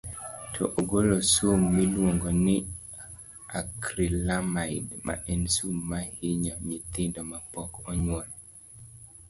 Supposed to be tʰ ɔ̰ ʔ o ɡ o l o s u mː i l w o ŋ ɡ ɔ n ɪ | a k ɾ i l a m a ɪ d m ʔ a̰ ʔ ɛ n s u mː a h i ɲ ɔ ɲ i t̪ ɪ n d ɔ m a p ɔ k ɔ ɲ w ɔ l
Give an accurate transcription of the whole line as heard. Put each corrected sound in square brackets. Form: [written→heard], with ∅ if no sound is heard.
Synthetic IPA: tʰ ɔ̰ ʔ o ɡ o l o s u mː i l w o ŋ ɡ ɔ n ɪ | a k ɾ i l a m a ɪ d m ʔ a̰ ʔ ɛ n s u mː a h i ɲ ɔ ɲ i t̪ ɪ n d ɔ m a p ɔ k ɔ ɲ w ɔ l